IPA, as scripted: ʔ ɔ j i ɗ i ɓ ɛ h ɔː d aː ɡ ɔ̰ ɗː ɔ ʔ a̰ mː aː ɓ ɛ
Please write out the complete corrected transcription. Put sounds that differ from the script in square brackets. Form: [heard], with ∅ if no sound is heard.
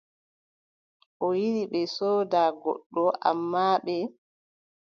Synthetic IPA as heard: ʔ ɔ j i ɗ i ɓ ɛ [s] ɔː d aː ɡ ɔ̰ ɗː ɔ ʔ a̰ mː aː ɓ ɛ